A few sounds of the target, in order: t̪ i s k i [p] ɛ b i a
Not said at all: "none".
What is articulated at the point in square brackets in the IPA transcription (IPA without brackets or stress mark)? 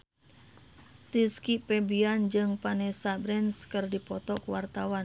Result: p